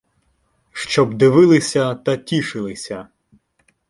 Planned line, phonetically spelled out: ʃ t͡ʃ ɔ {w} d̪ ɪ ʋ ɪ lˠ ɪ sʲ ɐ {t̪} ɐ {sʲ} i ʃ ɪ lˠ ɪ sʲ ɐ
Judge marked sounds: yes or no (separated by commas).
no, yes, no